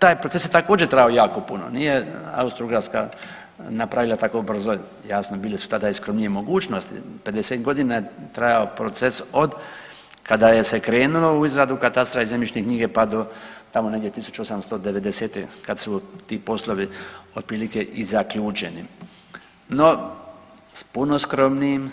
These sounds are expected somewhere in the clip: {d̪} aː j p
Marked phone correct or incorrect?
incorrect